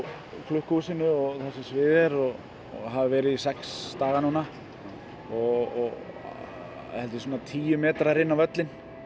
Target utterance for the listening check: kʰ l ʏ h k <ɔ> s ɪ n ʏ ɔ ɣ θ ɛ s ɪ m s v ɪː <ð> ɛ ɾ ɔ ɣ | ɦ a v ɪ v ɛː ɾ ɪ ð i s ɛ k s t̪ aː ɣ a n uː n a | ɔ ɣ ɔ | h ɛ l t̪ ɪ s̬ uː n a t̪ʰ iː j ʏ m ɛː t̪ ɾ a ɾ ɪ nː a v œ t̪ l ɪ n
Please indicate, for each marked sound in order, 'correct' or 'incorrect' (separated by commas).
incorrect, correct